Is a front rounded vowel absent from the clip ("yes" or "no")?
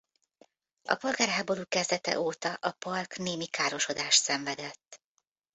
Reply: yes